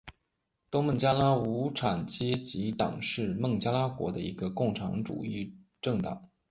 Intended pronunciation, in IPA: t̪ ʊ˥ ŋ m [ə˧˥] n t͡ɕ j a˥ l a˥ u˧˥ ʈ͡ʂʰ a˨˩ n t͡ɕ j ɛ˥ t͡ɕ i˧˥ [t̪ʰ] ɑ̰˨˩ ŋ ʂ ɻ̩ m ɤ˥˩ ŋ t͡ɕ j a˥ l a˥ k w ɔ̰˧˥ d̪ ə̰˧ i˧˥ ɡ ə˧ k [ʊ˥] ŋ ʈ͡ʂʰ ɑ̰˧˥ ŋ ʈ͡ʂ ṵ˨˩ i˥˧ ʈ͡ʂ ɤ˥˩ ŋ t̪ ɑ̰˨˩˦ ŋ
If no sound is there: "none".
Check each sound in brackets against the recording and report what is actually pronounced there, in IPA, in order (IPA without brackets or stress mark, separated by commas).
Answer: ə˥˩, t̪, ʊ˥˩